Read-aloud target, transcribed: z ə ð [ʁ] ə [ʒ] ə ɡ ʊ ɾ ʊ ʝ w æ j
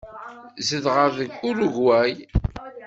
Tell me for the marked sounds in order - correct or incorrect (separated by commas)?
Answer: correct, incorrect